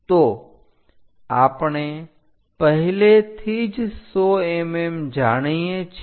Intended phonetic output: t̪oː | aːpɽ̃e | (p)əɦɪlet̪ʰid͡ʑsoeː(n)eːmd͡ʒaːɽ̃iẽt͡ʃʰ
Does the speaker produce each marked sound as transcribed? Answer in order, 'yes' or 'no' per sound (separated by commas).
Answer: yes, no